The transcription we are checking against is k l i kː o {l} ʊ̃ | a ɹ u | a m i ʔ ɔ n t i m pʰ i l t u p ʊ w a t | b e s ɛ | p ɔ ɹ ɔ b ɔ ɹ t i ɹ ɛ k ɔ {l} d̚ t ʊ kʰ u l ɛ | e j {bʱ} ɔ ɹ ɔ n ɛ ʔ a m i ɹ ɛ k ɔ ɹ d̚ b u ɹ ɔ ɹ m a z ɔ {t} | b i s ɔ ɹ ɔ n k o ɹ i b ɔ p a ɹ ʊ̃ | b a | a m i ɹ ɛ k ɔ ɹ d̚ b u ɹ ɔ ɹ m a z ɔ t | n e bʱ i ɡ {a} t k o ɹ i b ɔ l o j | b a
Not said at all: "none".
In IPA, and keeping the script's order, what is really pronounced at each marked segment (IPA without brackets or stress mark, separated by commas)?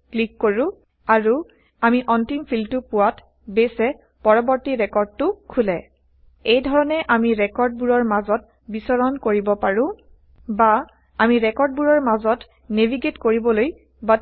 ɹ, ɹ, dʱ, t, e